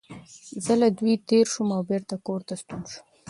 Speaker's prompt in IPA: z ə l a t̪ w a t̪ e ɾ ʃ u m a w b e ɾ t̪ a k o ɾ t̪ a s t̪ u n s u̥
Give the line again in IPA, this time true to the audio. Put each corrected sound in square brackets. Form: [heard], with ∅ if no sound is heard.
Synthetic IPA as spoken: z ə l a [d̪] w [i] t̪ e ɾ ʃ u m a w b e ɾ t̪ a k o ɾ t̪ a s t̪ u n [ʃ] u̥